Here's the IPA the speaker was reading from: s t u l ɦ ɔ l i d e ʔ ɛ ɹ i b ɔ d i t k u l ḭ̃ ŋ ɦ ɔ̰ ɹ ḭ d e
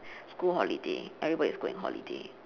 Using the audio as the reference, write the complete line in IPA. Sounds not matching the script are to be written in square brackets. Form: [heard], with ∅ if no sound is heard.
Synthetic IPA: s [k] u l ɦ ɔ l i d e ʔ ɛ ɹ i b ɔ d i [s] k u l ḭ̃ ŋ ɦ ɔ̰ [l] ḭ d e

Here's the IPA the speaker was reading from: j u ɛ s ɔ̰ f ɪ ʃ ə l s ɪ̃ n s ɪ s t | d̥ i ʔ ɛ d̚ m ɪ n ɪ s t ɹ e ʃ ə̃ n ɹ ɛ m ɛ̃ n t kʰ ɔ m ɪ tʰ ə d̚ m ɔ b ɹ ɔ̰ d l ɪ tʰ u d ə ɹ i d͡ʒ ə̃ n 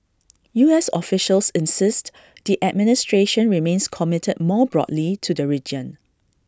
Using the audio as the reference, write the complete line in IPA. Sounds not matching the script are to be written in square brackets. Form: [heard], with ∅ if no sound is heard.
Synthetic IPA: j u ɛ s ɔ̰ f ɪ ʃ ə l s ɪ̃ n s ɪ s t | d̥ i ʔ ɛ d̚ m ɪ n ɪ s t ɹ e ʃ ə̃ n ɹ [i] m [ẽ] n [s] kʰ ɔ m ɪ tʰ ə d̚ m ɔ b ɹ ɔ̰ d l [i] tʰ u d ə ɹ i d͡ʒ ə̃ n

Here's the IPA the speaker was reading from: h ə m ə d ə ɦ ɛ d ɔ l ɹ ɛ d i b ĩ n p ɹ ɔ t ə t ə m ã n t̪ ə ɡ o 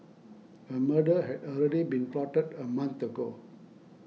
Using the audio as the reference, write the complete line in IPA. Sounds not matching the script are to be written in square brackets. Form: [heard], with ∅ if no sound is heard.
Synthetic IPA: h ə m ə d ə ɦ ɛ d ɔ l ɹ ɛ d i b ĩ n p [l] ɔ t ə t ə m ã n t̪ ə ɡ o

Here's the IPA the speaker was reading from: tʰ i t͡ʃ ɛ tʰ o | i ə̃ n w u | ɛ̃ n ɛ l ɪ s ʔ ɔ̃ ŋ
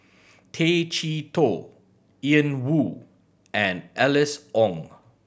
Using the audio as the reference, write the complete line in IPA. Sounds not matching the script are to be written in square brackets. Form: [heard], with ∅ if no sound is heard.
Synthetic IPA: tʰ [e] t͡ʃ [i] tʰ o | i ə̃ n w u | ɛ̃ n ɛ l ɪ s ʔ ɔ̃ ŋ

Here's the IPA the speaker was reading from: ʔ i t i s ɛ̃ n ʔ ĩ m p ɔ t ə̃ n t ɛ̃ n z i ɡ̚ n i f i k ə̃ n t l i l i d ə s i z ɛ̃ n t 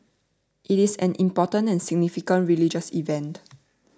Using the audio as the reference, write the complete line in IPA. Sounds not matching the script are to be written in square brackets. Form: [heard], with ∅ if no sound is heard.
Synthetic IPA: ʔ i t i s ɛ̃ n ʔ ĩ m p ɔ t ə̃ n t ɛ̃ n [s] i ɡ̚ n i f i k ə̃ n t [ɹ] i l i [d͡ʒ] ə s i [v] ɛ̃ n t

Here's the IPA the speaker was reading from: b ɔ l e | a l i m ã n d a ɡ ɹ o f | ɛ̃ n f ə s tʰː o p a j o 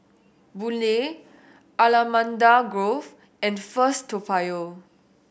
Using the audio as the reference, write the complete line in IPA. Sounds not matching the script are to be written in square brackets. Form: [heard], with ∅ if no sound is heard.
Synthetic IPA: b [u] l e | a l [a] m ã n d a ɡ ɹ o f | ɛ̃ n f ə s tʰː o p a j o

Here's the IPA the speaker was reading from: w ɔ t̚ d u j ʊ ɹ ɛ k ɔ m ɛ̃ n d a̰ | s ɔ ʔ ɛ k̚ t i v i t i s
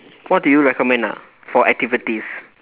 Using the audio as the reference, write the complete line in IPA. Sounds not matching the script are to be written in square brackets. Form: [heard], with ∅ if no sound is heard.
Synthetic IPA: w ɔ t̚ d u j [u] ɹ ɛ k ɔ m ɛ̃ n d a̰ | [f] ɔ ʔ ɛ k̚ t i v i t i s

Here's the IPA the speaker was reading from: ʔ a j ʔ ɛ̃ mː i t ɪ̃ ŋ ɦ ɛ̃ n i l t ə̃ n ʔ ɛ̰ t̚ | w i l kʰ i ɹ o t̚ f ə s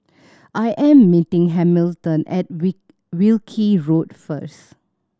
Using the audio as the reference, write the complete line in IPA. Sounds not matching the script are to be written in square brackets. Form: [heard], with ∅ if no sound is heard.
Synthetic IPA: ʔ a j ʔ ɛ̃ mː i t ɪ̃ ŋ ɦ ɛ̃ [m] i l t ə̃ n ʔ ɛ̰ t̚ | w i l kʰ i ɹ o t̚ f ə s

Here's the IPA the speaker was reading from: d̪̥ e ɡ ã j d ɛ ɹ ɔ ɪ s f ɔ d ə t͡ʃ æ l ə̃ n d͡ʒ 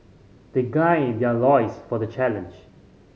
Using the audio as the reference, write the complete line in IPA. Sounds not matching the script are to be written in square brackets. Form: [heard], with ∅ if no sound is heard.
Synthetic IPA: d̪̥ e ɡ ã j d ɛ [l] ɔ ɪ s f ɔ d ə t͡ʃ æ l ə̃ n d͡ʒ

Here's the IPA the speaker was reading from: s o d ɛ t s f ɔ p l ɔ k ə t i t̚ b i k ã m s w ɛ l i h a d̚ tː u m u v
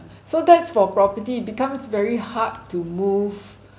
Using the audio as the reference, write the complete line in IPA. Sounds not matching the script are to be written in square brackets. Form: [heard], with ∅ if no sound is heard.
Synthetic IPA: s o d ɛ t s f ɔ p [ɹ] ɔ [p] ə t i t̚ b i k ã m s [v] ɛ [ɹ] i h a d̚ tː u m u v

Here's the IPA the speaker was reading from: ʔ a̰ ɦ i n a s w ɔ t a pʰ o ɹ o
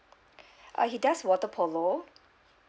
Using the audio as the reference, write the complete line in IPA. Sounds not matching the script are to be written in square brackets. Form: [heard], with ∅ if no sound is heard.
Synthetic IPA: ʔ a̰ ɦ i [d] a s w ɔ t [ə] pʰ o [l] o

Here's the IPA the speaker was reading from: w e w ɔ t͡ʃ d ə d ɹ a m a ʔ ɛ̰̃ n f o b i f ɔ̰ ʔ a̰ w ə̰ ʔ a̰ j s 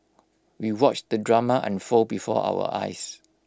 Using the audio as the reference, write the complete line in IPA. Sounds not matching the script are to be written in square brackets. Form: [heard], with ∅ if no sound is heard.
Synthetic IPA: w [i] w ɔ t͡ʃ d ə d ɹ a m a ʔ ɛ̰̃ n f o b i f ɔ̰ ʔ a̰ w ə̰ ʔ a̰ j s

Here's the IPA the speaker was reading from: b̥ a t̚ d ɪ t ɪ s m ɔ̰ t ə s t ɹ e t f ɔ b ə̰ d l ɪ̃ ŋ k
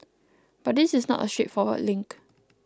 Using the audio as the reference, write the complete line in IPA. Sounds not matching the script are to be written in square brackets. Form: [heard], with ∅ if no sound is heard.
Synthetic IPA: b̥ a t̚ d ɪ [s] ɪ s [n] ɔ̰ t ə s t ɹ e t f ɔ [w] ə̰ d l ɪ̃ ŋ k

